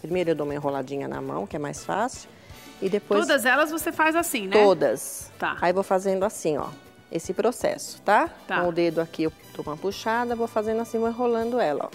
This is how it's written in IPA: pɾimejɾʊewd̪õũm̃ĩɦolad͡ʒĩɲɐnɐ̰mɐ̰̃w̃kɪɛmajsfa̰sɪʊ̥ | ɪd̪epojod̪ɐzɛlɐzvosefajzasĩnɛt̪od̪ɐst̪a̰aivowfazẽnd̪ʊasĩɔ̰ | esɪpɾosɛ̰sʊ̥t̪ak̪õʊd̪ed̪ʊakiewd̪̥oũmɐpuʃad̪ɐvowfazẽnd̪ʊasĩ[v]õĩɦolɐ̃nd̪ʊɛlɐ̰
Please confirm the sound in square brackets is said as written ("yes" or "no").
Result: yes